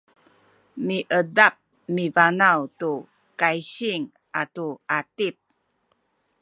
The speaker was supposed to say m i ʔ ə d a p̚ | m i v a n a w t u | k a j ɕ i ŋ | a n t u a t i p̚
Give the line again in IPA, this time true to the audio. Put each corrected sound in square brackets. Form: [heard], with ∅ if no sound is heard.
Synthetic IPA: m i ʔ ə d a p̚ | m i v a n a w t u | k a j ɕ i ŋ | a [∅] t u a t i p̚